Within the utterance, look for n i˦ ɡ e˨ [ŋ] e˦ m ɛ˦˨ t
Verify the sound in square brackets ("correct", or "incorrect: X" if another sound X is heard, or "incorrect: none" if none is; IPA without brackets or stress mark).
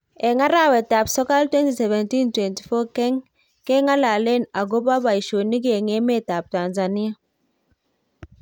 correct